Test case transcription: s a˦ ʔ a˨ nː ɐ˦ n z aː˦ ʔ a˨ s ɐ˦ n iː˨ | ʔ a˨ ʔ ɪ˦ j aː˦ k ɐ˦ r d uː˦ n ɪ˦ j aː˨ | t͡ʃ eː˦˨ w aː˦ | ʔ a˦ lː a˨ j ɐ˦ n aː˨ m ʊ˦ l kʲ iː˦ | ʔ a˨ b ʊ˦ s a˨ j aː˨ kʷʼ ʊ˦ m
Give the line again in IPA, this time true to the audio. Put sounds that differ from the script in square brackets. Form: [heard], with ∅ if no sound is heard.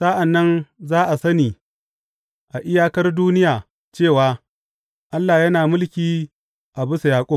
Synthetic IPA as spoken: s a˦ ʔ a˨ nː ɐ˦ n z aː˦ ʔ a˨ s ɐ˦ n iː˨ | ʔ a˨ ʔ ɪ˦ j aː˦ k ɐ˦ r d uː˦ n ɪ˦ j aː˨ | t͡ʃ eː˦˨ w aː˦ | ʔ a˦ lː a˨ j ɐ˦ n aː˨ m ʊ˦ l kʲ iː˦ | ʔ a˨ b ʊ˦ s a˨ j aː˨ kʷʼ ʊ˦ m

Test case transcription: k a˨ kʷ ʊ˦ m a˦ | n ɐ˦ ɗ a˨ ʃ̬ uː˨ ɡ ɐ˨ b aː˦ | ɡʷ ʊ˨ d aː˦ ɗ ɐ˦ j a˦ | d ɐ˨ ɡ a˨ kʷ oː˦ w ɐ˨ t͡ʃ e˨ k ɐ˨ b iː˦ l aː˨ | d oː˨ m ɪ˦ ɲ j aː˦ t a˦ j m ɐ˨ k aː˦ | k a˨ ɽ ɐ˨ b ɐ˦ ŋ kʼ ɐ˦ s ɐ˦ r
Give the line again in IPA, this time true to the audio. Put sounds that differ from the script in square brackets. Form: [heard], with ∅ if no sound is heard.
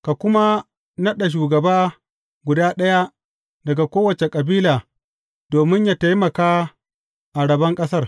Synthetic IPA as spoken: k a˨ kʷ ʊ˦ m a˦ | n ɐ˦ ɗ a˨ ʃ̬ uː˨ ɡ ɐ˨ b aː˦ | ɡʷ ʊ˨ d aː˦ ɗ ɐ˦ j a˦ | d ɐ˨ ɡ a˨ kʷ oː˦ w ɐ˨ t͡ʃ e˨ [kʼ] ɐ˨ b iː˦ l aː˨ | d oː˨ m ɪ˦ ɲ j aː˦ t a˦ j m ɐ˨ k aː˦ | [ʔ] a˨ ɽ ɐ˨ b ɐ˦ ŋ kʼ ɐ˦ s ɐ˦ r

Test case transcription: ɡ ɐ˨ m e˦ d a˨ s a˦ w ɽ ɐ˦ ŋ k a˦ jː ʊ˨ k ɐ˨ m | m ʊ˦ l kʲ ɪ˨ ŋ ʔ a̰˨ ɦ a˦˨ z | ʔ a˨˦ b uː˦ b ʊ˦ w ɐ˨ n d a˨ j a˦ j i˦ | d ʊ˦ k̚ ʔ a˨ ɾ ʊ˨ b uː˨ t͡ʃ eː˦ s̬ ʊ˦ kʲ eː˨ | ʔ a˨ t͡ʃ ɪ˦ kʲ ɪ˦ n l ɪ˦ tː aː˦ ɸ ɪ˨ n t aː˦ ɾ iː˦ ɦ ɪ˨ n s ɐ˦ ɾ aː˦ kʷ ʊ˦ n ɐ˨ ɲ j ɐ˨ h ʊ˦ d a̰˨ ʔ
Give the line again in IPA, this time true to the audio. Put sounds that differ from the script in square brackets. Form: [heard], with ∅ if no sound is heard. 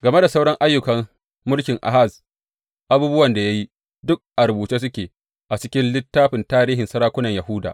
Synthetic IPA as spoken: ɡ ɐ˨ m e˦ d a˨ s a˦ w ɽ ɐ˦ ŋ [ʔ] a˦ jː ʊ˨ k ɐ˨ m | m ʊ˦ l kʲ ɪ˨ ŋ ʔ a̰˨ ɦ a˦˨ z | ʔ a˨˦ b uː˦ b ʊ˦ w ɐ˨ n d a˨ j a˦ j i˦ | d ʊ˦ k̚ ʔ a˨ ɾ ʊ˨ b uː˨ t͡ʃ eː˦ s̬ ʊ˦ kʲ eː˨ | ʔ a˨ t͡ʃ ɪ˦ kʲ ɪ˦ n l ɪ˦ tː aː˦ ɸ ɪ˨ n t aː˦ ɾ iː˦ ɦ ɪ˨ n s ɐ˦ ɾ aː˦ kʷ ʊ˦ n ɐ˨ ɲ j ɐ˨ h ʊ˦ d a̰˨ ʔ

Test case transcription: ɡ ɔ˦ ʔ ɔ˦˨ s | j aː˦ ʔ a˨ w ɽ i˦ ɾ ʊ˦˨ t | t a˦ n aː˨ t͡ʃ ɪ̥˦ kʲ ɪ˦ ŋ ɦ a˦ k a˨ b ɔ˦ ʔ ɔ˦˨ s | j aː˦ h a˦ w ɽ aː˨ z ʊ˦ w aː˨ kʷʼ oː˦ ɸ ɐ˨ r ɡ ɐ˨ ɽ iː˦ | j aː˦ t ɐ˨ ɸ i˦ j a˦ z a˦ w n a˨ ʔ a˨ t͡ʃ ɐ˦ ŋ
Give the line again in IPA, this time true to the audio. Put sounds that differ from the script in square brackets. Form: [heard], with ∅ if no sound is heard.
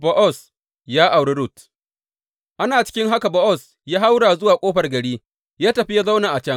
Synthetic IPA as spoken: [b] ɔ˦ ʔ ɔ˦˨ s | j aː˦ ʔ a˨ w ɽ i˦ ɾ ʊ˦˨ t | [ʔ] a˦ n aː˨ t͡ʃ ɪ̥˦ kʲ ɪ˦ ŋ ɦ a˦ k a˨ b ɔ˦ ʔ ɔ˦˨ s | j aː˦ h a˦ w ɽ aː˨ z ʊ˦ w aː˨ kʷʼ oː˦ ɸ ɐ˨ r ɡ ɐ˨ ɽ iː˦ | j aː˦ t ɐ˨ ɸ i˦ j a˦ z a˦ w n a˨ ʔ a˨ t͡ʃ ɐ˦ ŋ

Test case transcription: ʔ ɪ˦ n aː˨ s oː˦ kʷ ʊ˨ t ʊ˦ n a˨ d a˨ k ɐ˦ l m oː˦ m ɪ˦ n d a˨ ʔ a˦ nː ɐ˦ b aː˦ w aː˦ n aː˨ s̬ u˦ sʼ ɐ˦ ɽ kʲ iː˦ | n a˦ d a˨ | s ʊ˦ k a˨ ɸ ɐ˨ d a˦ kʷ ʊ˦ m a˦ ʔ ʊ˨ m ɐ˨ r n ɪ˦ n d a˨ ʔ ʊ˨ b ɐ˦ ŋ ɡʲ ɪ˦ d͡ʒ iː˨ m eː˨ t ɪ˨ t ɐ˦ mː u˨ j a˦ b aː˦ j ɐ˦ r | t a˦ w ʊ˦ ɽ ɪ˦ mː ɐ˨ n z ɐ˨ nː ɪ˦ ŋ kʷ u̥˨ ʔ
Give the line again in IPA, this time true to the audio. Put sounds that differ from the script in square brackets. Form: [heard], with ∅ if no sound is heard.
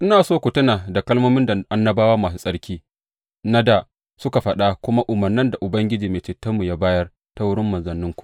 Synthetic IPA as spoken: ʔ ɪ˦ n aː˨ s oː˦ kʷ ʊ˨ t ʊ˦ n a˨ d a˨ k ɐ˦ l m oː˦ m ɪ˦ n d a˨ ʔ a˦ nː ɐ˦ b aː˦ w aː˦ [m] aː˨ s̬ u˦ sʼ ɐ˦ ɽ kʲ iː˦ | n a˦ d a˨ | s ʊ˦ k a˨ ɸ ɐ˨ [ɗ] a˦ kʷ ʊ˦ m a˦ ʔ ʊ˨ m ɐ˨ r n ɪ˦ n d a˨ ʔ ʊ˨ b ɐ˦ ŋ ɡʲ ɪ˦ d͡ʒ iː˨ m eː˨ [t͡ʃ] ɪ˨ t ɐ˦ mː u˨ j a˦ b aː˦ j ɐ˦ r | t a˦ w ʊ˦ ɽ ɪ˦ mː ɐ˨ n z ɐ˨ nː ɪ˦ ŋ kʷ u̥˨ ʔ

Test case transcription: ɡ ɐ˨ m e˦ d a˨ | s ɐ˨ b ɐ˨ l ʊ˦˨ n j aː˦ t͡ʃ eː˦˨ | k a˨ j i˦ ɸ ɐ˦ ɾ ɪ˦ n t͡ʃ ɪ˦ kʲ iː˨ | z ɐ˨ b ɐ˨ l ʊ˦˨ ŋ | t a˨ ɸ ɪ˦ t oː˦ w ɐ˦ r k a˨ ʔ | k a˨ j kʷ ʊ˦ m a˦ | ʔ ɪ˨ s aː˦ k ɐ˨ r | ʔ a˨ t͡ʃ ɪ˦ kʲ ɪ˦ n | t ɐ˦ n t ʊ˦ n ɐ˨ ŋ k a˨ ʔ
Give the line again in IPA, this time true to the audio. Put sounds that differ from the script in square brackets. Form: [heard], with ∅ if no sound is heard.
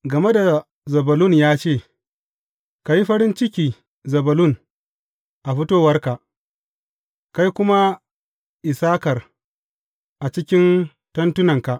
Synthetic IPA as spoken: ɡ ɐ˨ m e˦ d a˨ | [z] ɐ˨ b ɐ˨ l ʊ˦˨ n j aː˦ t͡ʃ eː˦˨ | k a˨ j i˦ ɸ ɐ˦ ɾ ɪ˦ n t͡ʃ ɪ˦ kʲ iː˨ | z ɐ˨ b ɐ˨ l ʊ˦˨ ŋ | [ʔ] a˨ ɸ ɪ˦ t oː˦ w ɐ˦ r k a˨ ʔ | k [a˦] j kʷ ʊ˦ m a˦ | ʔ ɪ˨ s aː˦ k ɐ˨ r | ʔ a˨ t͡ʃ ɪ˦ kʲ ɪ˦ n | t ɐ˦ n t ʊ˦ n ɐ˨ ŋ k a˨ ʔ

